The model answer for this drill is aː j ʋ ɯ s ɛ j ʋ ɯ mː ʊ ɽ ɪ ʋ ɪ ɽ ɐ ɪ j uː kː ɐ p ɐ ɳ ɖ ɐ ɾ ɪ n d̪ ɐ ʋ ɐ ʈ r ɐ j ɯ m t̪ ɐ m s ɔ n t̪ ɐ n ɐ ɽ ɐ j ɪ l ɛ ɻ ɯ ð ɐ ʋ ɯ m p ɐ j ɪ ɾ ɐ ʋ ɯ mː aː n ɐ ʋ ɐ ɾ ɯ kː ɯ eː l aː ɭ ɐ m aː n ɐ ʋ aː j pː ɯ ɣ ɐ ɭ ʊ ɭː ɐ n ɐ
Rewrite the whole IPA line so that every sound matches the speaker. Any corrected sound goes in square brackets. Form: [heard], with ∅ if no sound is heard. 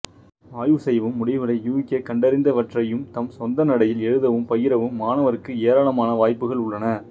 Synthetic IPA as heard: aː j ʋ ɯ s ɛ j ʋ ɯ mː ʊ ɽ ɪ ʋ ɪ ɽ ɐ ɪ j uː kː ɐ [k] ɐ ɳ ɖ ɐ ɾ ɪ n d̪ ɐ ʋ ɐ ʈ r ɐ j ɯ m t̪ ɐ m s ɔ n [d̪] ɐ n ɐ ɽ ɐ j ɪ l ɛ ɻ ɯ ð ɐ ʋ ɯ m p ɐ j ɪ ɾ ɐ ʋ ɯ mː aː n ɐ ʋ ɐ ɾ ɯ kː ɯ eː [ɾ] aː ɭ ɐ m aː n ɐ ʋ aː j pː ɯ ɣ ɐ ɭ ʊ ɭː ɐ n ɐ